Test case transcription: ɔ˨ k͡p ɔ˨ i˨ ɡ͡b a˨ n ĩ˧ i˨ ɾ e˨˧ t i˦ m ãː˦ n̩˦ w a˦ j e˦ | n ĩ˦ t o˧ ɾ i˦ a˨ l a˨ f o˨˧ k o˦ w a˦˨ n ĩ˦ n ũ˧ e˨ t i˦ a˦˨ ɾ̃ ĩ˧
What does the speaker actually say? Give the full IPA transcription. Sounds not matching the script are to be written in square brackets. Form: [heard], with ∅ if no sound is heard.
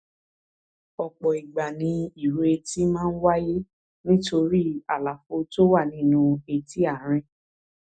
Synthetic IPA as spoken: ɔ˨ k͡p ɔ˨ i˨ ɡ͡b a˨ n ĩ˧ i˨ ɾ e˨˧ t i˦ m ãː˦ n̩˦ w a˦ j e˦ | n ĩ˦ t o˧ ɾ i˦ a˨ l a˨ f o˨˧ [t] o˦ w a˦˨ n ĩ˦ n ũ˧ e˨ t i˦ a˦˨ ɾ̃ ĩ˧